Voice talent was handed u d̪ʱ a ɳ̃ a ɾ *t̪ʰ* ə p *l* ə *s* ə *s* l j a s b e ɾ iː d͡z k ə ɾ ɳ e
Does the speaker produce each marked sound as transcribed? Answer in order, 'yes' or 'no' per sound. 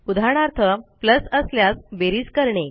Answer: yes, yes, yes, yes

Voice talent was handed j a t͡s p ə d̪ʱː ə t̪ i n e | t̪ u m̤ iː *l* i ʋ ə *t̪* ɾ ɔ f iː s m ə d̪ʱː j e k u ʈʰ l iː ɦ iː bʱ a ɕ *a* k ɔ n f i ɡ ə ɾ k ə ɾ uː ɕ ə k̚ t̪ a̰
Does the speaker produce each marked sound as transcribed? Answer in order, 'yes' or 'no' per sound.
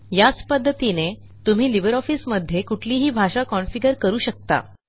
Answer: yes, no, yes

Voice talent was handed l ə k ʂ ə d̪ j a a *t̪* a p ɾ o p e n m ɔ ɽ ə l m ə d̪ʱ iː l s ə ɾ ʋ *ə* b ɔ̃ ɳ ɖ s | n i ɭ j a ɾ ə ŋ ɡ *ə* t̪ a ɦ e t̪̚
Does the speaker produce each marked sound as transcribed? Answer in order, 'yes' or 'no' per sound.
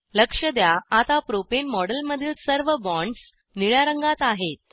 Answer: yes, yes, no

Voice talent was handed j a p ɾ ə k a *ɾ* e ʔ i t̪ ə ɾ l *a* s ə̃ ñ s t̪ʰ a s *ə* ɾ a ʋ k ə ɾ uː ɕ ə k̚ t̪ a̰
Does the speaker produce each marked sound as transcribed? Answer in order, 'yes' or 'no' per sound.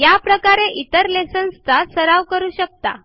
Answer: yes, no, yes

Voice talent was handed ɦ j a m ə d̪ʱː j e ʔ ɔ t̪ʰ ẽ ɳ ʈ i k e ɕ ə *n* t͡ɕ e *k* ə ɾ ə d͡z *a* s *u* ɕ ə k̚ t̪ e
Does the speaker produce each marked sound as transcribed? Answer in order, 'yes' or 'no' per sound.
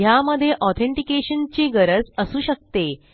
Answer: yes, no, no, no

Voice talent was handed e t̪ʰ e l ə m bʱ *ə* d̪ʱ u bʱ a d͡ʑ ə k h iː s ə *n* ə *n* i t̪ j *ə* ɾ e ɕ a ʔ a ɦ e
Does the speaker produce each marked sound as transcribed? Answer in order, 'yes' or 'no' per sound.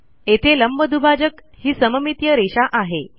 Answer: yes, no, no, yes

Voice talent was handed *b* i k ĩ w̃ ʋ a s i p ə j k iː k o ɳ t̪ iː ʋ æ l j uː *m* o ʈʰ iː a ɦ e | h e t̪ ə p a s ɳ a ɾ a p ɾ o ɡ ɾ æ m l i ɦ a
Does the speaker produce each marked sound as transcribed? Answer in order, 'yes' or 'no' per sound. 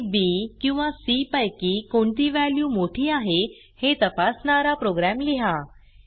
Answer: yes, yes

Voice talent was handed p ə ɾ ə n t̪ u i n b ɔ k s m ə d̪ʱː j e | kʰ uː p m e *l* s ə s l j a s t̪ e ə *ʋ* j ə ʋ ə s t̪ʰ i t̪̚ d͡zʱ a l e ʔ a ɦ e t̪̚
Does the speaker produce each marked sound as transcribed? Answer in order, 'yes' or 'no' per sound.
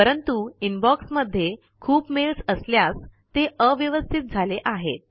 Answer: yes, yes

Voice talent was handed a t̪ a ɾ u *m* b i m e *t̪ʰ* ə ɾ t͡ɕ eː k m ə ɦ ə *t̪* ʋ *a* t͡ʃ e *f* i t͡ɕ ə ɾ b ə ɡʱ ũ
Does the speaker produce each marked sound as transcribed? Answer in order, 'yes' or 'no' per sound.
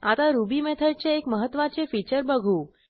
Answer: no, yes, yes, yes, yes

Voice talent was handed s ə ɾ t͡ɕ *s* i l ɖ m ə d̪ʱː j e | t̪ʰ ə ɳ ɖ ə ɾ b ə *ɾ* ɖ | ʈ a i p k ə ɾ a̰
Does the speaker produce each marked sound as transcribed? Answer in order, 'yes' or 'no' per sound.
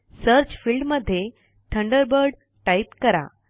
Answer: no, yes

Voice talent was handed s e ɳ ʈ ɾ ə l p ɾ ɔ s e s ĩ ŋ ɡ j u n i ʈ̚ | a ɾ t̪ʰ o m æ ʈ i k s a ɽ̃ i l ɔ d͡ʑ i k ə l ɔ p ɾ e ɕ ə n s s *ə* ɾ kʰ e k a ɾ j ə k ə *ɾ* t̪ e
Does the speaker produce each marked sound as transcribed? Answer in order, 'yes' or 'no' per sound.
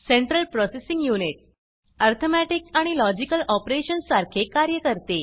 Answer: no, yes

